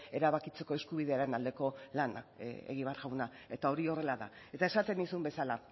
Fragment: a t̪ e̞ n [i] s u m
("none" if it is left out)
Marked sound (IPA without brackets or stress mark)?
i